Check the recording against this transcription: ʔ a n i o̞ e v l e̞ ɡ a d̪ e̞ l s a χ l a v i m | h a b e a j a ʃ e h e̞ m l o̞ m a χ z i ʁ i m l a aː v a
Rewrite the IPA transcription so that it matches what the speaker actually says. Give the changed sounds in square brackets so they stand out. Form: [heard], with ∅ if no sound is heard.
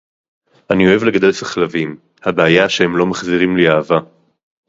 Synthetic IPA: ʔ a n i o̞ e v l e̞ ɡ a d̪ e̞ l s a χ l a v i m | h a b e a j a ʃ e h e̞ m l o̞ m a χ z i ʁ i m l [i] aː v a